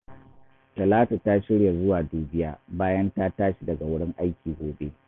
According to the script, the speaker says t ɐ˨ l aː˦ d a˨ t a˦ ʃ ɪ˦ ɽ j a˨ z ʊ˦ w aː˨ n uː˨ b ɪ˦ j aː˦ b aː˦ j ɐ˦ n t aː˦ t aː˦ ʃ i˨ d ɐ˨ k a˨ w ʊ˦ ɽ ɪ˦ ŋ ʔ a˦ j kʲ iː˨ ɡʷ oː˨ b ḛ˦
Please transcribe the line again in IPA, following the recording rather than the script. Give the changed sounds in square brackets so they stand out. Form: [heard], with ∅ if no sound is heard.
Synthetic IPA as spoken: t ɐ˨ l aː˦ [t] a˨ t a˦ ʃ ɪ˦ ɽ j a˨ z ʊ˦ w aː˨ [d] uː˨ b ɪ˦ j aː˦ b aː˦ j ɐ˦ n t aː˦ t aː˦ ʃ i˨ d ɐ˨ [ɡ] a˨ w ʊ˦ ɽ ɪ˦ ŋ ʔ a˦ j kʲ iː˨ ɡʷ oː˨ b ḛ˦